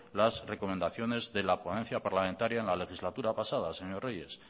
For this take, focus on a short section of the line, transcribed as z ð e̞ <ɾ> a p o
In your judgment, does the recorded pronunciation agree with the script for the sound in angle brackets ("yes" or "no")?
no